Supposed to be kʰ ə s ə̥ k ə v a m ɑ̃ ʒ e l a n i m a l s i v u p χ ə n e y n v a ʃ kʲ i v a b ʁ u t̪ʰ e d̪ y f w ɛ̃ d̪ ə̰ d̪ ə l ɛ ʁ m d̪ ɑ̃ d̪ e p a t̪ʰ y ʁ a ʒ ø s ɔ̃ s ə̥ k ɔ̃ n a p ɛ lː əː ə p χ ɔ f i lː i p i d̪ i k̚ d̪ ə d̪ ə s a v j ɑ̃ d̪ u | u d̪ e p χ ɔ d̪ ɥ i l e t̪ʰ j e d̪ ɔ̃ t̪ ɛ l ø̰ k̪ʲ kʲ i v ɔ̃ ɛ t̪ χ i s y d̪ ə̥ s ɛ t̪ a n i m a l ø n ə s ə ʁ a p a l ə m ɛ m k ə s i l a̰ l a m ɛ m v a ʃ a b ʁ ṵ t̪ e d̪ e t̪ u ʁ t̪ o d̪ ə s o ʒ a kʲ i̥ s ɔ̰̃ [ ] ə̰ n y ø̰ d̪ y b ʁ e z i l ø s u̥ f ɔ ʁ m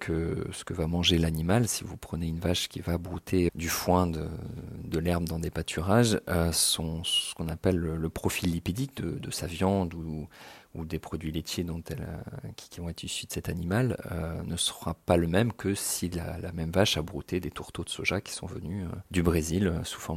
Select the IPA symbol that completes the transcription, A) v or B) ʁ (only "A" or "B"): A